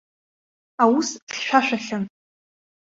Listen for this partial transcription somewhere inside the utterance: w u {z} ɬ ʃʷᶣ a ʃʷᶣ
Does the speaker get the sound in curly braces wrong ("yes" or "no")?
yes